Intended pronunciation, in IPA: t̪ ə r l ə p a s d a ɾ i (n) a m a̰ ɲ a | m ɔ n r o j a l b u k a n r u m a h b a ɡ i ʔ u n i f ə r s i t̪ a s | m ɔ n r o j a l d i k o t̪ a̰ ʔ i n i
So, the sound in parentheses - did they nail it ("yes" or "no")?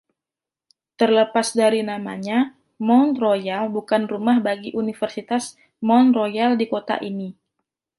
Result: yes